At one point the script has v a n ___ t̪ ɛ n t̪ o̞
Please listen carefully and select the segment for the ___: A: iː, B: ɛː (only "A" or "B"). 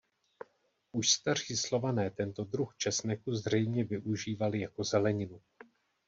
B